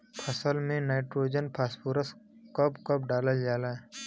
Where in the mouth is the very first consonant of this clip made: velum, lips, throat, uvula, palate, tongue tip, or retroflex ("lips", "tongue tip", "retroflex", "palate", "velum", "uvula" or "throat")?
lips